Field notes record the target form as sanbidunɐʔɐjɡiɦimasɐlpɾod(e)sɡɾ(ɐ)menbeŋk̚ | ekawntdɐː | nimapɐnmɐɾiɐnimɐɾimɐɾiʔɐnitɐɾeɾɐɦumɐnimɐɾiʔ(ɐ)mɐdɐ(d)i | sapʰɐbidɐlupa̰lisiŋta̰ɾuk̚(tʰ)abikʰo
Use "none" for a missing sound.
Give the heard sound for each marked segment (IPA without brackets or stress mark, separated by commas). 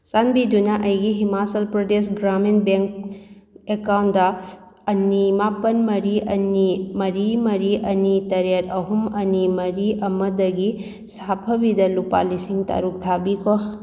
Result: e, a, ɐ, ɡ, tʰ